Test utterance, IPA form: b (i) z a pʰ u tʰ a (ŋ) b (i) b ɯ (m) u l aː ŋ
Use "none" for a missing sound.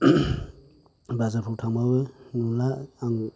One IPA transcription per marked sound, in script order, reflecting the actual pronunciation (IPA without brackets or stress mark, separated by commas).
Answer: a, ŋ, a, n